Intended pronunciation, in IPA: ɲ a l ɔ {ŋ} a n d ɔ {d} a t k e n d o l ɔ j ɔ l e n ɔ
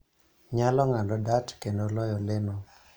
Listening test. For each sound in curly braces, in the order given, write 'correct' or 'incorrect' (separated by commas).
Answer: correct, correct